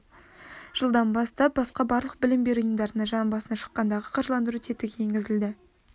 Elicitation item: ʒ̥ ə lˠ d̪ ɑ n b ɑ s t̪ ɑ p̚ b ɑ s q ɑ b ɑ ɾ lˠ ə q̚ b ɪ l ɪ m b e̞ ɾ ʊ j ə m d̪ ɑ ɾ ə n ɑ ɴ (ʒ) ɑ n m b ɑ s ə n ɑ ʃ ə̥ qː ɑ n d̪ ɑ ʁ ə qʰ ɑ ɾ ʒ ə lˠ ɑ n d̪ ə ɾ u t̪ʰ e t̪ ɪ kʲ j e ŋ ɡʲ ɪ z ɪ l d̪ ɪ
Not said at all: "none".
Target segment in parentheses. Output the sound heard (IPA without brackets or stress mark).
ʒ